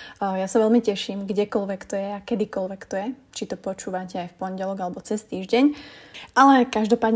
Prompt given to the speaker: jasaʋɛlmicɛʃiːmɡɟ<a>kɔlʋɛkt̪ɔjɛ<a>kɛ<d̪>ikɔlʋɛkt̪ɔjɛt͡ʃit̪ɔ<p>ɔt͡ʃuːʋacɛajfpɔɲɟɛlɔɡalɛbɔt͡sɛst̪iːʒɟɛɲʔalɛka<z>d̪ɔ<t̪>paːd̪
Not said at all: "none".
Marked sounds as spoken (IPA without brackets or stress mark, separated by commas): ɛ, a, d̪, p, ʒ, none